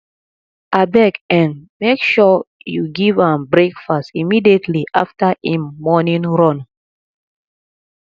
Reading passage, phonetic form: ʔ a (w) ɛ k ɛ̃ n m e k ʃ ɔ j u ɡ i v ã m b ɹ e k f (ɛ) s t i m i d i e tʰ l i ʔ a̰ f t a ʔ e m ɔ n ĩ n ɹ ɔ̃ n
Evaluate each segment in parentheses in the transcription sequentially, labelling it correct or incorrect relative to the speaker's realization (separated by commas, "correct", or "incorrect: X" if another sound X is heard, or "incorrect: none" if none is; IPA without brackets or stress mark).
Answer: incorrect: b, incorrect: a